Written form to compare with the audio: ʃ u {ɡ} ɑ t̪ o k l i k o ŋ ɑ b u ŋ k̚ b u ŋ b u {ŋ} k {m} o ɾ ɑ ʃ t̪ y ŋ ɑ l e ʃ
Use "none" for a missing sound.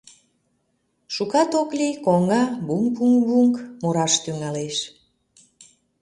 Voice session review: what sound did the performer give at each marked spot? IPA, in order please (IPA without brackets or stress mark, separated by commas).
k, ŋ, m